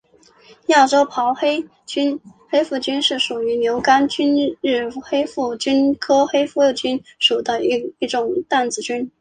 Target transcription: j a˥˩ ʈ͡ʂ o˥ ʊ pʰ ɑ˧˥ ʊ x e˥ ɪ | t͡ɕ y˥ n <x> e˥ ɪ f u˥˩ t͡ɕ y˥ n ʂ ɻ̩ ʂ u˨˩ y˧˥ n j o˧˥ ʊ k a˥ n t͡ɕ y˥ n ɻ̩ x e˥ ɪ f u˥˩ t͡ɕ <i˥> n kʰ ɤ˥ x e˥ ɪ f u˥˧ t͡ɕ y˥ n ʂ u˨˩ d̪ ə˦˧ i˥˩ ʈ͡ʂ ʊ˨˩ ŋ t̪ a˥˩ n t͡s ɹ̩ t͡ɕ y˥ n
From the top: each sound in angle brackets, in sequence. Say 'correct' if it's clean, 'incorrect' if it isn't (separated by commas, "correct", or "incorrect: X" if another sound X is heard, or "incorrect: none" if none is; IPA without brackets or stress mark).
correct, incorrect: y˥